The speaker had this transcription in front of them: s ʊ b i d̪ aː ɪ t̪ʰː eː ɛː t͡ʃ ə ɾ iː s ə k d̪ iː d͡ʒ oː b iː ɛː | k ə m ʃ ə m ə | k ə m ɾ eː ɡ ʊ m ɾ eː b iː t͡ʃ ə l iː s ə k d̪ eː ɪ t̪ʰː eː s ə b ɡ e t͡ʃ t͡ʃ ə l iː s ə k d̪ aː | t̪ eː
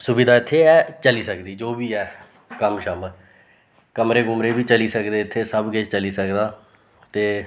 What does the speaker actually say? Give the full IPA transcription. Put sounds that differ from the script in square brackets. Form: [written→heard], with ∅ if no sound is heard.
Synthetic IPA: s ʊ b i d̪ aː ɪ t̪ʰː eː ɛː t͡ʃ ə [ɾ→l] iː s ə k d̪ iː d͡ʒ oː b iː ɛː | k ə m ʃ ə m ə | k ə m ɾ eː ɡ ʊ m ɾ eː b iː t͡ʃ ə l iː s ə k d̪ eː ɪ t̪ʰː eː s ə b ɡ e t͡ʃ t͡ʃ ə l iː s ə k d̪ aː | t̪ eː